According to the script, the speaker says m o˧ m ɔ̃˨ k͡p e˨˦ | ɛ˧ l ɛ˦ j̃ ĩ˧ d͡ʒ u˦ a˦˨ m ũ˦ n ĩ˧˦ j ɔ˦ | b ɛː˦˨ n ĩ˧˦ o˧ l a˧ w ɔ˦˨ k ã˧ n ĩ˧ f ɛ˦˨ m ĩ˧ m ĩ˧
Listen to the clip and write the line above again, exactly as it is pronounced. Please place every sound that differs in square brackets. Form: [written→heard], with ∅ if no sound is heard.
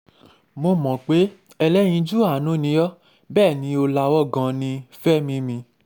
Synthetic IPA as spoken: m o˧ m ɔ̃˨ k͡p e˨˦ | ɛ˧ l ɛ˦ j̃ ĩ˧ d͡ʒ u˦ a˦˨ [m→n] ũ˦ n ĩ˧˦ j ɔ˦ | b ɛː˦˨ n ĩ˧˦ o˧ l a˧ w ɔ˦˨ [k→ɡ] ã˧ n ĩ˧ f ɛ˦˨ m ĩ˧ m ĩ˧

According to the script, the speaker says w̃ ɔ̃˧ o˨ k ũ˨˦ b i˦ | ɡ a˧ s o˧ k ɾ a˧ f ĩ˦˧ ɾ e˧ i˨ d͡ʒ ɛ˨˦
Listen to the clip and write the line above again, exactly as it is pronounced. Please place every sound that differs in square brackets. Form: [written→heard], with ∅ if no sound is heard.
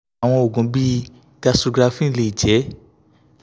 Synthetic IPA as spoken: w̃ ɔ̃˧ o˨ [k→ɡ] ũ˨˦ b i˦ | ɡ a˧ s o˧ [k→ɡ] ɾ a˧ f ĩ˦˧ [ɾ→l] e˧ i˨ d͡ʒ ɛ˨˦

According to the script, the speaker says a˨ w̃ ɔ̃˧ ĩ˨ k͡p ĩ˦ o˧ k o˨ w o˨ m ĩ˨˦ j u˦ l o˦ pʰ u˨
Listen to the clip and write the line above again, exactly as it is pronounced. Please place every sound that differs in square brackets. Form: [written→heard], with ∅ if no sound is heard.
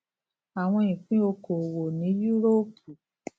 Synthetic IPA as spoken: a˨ w̃ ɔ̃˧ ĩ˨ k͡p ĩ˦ o˧ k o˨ w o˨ [m→n] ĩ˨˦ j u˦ [l→ɾ] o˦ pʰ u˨

